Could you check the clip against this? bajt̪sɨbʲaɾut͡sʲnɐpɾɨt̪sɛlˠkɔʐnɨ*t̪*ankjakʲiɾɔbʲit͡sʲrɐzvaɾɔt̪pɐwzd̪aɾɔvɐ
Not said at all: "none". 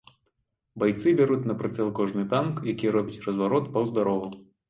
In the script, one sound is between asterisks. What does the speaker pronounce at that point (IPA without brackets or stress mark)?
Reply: t̪